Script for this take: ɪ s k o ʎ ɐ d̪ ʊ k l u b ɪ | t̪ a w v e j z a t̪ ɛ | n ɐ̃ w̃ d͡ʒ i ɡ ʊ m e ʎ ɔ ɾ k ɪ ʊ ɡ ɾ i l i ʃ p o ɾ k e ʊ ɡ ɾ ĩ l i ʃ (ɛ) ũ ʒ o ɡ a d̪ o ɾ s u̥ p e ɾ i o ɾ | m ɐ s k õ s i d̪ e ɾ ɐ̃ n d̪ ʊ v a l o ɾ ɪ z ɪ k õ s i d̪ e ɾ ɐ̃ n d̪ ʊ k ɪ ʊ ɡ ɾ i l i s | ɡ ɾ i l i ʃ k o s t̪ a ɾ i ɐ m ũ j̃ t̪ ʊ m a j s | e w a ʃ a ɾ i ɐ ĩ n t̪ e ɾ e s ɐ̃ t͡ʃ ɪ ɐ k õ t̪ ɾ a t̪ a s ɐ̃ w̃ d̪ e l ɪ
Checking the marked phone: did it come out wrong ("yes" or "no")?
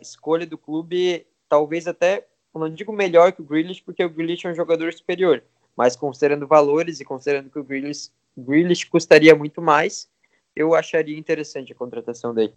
no